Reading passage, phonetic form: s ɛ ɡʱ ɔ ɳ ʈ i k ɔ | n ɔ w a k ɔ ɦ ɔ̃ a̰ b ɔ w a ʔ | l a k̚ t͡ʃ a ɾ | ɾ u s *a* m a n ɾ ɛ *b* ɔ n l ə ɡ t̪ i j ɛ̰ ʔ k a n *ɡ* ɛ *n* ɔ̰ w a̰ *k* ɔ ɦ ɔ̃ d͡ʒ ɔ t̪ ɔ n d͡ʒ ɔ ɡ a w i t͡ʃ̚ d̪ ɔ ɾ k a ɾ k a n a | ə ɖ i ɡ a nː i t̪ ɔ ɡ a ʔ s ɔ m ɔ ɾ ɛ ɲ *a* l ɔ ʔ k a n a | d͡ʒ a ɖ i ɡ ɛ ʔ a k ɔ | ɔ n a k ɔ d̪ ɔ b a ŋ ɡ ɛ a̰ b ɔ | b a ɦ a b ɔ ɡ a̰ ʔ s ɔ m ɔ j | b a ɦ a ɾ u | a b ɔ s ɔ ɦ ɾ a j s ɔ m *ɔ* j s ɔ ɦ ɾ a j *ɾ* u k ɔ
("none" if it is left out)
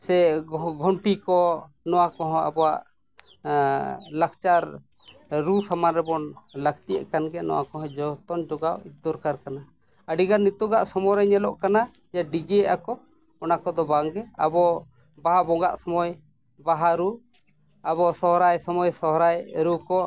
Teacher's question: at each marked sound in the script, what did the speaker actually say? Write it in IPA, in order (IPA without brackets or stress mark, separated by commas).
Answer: a, b, ɡ, n, k, ɛ, ɔ, ɾ